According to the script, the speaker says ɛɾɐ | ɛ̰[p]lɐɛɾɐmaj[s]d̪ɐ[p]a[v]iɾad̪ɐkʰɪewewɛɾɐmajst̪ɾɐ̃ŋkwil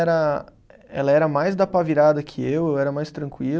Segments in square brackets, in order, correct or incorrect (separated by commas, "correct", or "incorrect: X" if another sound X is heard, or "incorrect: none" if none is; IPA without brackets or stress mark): incorrect: none, incorrect: z, correct, correct